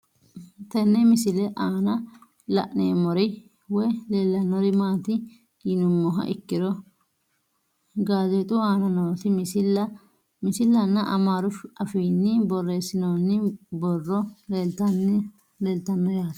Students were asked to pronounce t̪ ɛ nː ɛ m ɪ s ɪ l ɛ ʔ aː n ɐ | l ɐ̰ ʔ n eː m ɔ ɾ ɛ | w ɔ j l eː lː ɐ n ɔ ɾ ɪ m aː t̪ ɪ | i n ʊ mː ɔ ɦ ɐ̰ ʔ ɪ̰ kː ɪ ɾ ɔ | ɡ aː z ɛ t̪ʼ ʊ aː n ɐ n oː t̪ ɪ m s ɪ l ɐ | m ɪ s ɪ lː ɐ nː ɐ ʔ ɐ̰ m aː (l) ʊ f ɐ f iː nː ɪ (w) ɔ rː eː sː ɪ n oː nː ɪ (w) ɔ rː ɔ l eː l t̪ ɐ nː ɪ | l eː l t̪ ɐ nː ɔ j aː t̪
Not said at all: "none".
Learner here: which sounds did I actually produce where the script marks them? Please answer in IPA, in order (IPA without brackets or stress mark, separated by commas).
ɾ, b, b